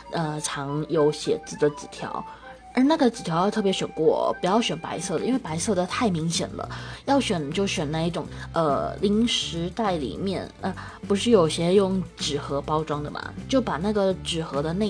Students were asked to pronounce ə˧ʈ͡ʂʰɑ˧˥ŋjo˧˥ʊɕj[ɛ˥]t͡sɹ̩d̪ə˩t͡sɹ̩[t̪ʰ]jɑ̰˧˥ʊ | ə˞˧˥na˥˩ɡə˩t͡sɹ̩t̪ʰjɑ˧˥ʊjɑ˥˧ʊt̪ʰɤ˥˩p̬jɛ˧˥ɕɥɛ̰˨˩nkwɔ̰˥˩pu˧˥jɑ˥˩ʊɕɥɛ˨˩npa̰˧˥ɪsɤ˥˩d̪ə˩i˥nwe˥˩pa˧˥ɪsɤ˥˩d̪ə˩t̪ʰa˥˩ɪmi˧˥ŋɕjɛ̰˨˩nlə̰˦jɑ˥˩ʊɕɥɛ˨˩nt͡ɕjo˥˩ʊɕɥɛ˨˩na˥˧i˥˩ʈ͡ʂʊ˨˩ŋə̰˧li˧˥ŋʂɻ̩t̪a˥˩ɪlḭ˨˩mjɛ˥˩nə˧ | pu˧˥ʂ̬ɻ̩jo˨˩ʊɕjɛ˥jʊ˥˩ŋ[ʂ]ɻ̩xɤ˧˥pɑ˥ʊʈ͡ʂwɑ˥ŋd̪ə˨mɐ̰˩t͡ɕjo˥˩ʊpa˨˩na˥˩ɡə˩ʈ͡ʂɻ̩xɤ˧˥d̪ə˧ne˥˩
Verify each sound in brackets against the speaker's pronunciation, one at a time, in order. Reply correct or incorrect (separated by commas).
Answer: incorrect, correct, incorrect